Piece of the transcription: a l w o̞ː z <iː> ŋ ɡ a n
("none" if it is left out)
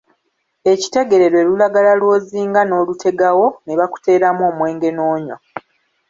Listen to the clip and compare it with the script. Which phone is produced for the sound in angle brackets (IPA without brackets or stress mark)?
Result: iː